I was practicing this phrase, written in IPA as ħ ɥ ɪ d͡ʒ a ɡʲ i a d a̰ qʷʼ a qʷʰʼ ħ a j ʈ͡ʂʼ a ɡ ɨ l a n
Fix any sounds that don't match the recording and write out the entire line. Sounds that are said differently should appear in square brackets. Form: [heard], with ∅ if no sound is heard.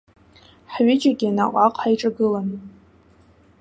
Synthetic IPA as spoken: ħ ɥ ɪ d͡ʒ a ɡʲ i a [n] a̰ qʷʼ a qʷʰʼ ħ a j ʈ͡ʂʼ a ɡ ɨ l a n